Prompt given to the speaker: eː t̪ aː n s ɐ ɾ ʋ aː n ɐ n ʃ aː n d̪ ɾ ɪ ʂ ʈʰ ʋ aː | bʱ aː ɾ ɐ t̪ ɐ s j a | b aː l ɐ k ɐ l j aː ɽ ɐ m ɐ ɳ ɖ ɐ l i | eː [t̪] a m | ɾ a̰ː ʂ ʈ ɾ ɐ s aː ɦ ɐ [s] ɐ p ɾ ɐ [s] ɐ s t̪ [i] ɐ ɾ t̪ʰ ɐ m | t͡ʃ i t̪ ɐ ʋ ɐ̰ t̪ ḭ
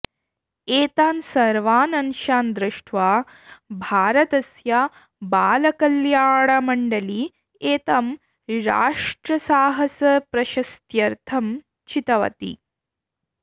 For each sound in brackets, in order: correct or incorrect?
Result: correct, correct, incorrect: ʃ, incorrect: j

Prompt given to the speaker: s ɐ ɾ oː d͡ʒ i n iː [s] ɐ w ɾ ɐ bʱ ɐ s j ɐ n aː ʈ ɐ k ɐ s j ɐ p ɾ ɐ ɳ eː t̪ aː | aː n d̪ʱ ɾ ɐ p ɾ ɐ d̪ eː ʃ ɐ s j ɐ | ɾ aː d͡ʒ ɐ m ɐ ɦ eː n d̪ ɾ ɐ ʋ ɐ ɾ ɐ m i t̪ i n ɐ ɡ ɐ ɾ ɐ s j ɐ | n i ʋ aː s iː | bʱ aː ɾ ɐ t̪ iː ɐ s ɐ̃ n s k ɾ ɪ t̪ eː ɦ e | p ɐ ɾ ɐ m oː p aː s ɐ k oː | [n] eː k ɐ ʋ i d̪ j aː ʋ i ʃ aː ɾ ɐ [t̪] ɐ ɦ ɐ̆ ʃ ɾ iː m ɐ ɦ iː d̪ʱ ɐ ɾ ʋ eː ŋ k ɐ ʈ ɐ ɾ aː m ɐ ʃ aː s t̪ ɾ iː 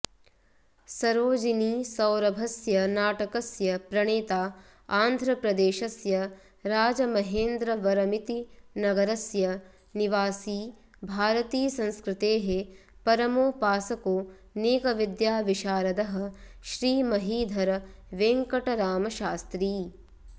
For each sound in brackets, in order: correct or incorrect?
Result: correct, correct, incorrect: d̪

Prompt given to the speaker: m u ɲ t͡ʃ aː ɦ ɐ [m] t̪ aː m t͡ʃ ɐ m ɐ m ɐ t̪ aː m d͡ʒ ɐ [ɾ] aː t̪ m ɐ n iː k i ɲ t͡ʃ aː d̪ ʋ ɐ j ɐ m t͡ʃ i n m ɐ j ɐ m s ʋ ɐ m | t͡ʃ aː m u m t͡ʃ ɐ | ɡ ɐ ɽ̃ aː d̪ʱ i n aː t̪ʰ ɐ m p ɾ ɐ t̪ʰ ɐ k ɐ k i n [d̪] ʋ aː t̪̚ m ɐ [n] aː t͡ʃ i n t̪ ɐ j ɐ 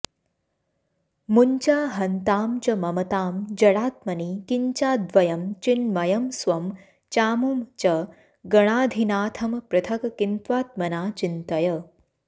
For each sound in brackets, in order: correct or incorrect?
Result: incorrect: n, incorrect: ɽ, incorrect: t̪, correct

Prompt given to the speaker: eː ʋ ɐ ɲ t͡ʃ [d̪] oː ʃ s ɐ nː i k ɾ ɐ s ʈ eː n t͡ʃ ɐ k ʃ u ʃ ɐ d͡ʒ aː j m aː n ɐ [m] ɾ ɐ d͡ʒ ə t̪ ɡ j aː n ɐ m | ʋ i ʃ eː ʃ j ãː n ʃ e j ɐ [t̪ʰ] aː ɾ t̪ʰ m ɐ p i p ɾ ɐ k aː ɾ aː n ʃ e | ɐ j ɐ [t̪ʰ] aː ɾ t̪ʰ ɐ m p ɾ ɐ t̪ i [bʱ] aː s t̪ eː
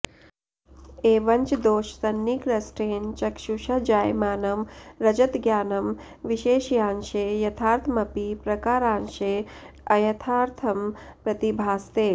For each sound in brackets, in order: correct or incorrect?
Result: correct, correct, correct, correct, correct

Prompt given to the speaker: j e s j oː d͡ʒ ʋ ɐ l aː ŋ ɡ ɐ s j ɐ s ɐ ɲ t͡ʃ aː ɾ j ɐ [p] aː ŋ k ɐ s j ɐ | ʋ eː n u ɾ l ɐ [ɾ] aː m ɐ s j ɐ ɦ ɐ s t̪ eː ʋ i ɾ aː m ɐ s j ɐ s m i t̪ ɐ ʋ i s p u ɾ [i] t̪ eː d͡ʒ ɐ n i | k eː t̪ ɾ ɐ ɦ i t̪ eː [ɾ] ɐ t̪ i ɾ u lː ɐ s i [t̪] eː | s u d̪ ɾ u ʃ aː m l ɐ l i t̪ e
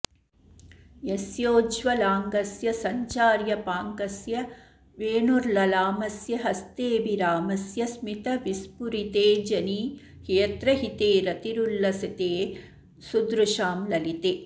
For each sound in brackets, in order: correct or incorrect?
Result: correct, incorrect: l, correct, correct, correct

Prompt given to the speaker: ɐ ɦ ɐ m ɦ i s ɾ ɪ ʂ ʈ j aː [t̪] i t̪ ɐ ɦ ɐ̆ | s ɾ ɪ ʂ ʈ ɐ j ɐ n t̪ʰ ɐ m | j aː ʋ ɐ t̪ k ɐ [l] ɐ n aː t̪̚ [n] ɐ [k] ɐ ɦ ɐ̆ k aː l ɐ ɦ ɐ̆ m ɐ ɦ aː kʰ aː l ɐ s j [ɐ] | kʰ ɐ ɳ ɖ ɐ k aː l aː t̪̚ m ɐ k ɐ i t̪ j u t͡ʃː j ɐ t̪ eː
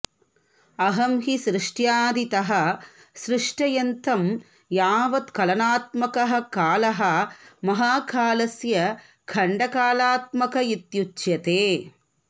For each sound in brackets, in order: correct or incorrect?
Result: incorrect: d̪, correct, incorrect: m, correct, correct

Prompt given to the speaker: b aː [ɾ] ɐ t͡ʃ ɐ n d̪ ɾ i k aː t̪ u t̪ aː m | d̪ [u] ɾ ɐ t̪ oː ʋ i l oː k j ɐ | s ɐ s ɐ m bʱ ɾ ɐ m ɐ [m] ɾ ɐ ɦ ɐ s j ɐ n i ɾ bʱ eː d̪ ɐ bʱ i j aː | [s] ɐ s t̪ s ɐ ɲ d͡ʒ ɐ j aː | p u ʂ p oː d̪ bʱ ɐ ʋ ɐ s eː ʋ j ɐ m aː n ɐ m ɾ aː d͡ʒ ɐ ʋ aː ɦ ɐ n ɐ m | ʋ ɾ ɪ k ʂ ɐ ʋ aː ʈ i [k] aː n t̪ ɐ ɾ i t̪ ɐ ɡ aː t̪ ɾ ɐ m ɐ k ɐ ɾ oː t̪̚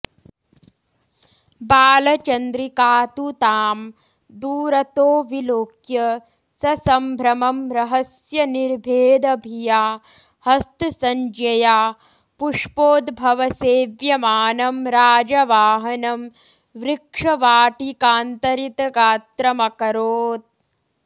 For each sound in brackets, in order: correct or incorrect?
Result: incorrect: l, incorrect: uː, correct, incorrect: h, correct

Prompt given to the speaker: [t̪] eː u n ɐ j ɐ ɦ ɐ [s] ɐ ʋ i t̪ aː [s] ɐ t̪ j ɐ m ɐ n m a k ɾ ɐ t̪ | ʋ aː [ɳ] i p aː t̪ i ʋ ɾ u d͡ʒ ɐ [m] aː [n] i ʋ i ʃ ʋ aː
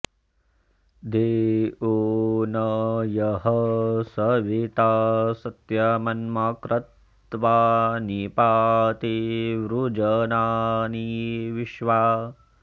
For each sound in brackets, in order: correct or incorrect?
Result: incorrect: d̪, correct, correct, incorrect: n, incorrect: n, correct

